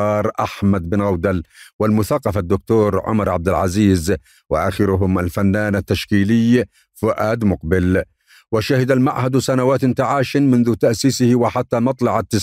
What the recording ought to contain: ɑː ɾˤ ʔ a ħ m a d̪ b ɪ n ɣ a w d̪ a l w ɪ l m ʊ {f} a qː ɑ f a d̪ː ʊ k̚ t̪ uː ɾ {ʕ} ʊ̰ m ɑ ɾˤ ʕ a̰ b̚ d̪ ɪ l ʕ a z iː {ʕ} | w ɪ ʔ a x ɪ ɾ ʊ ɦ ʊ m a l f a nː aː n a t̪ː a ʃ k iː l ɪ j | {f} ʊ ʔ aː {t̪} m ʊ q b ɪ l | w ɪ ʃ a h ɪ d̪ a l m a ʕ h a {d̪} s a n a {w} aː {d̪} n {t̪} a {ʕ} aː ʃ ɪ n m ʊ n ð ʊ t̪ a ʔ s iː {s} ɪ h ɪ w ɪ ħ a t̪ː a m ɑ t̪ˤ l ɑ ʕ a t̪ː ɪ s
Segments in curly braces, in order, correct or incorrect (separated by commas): incorrect, correct, incorrect, correct, incorrect, correct, correct, incorrect, correct, correct, correct